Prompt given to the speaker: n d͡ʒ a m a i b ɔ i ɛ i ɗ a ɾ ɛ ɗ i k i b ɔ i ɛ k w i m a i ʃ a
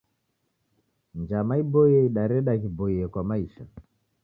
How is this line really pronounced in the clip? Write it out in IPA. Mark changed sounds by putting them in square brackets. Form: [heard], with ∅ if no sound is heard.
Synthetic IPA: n d͡ʒ a m a i b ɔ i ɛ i ɗ a ɾ ɛ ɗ [a] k i b ɔ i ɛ k w [a] m a i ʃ a